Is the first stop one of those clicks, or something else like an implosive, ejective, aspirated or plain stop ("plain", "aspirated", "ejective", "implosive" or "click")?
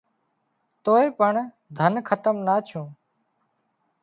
plain